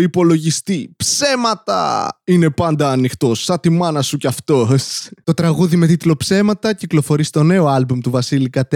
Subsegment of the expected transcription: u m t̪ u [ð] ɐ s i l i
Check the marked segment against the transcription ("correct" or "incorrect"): incorrect